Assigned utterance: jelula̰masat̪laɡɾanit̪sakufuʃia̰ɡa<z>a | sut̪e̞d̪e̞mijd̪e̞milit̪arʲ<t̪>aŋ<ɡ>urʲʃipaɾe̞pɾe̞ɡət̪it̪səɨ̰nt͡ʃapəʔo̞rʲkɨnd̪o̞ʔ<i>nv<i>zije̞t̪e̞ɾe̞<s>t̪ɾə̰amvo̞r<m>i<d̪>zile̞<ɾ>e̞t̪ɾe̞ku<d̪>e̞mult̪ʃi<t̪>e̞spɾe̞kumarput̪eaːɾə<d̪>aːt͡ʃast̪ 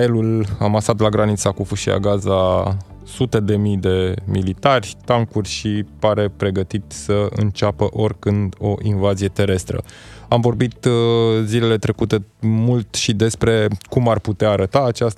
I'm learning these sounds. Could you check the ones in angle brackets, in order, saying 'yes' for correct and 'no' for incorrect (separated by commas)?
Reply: yes, yes, no, yes, no, yes, no, no, no, no, no, no